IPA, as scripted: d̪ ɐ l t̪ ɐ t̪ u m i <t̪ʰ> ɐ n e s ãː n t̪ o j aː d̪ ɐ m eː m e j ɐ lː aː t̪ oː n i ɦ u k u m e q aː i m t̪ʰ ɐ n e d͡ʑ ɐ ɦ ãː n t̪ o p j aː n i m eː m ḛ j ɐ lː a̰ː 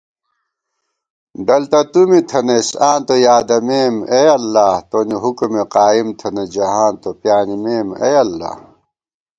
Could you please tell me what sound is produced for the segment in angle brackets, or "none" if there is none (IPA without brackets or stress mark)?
t̪ʰ